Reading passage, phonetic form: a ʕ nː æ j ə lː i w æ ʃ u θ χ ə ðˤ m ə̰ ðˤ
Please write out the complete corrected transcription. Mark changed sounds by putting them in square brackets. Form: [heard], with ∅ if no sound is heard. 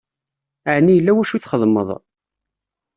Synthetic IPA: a ʕ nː [i] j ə lː [æ] w æ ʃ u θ χ ə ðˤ m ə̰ ðˤ

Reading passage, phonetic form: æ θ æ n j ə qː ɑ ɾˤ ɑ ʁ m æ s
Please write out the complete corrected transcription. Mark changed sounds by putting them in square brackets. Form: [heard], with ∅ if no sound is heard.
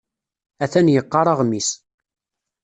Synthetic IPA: æ θ æ n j ə qː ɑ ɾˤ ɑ ʁ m [i] s

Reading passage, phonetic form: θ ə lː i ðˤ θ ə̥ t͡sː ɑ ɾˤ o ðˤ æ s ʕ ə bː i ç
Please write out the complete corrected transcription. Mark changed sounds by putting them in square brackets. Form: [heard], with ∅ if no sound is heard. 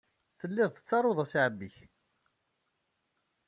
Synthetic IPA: θ ə lː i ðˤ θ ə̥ t͡sː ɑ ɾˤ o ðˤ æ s ʕ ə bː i ç

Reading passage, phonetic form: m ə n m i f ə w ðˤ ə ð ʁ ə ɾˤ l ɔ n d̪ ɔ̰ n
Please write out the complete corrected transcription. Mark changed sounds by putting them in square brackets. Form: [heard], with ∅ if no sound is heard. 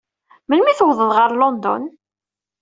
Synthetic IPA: m ə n m i [θ] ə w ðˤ ə ð ʁ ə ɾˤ l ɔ n d̪ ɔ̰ n

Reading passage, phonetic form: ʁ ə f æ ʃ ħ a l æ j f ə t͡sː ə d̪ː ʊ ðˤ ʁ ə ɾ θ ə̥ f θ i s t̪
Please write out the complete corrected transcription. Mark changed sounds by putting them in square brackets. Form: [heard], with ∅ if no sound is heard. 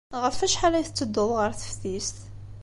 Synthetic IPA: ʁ ə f æ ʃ ħ a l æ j [θ] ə t͡sː ə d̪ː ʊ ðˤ ʁ ə ɾ θ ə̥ f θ i s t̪

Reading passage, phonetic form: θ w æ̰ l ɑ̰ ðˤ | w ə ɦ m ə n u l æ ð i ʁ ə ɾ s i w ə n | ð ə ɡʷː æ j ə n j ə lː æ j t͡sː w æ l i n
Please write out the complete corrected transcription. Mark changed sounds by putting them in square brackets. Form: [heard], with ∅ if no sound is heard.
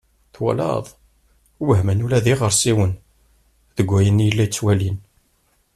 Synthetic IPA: θ w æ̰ l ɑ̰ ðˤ | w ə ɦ m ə n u l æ ð i ʁ ə ɾ s i w ə n | ð ə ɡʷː æ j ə n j ə lː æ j t͡sː w æ l i n

